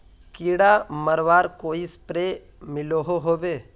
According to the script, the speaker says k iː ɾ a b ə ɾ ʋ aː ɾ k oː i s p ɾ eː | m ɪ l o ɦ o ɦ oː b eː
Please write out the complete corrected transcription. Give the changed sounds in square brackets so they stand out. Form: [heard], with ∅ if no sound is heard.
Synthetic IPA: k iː [ɽ] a [m] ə ɾ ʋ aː ɾ k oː i s p ɾ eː | m ɪ l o ɦ o ɦ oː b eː